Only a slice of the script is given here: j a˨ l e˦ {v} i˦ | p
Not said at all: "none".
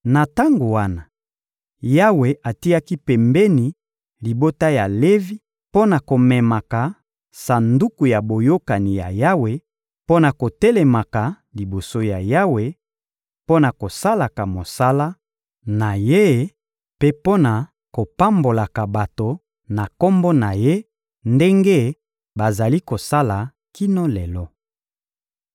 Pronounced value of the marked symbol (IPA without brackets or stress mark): v